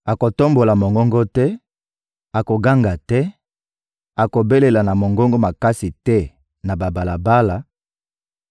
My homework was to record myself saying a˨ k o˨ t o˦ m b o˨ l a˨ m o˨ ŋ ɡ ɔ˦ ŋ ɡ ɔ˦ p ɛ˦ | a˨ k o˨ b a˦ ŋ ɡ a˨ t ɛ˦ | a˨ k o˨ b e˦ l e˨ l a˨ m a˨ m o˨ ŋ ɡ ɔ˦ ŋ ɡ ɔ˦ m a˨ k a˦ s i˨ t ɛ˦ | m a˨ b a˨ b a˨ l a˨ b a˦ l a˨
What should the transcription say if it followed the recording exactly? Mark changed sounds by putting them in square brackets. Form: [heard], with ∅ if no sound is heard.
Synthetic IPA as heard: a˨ k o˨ t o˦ m b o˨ l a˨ m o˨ ŋ ɡ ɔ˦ ŋ ɡ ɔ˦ [t] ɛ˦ | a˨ k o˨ [ɡ] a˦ ŋ ɡ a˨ t ɛ˦ | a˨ k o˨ b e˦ l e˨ l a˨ [n] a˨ m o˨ ŋ ɡ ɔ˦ ŋ ɡ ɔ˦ m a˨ k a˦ s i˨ t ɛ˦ | [n] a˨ b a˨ b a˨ l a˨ b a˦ l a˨